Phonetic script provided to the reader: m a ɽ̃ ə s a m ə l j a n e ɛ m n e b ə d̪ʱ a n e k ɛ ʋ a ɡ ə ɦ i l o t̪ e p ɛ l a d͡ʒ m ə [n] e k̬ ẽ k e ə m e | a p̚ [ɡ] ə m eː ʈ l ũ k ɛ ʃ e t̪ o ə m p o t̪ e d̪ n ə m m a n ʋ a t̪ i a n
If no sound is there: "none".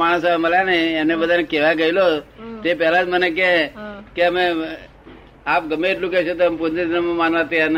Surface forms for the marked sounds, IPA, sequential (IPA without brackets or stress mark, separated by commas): n, ɡ